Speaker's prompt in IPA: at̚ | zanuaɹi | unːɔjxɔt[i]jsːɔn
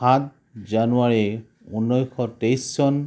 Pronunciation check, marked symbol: incorrect: e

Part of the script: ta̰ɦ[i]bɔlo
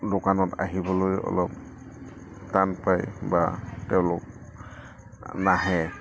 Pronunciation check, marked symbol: correct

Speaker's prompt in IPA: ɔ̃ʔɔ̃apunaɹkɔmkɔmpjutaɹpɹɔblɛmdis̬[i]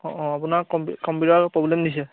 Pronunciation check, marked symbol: incorrect: ɛ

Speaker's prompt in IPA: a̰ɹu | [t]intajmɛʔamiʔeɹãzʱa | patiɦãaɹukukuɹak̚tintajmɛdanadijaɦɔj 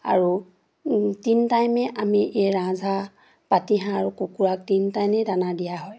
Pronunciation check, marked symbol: correct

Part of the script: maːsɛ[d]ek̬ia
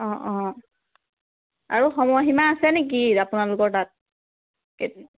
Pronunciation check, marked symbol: incorrect: n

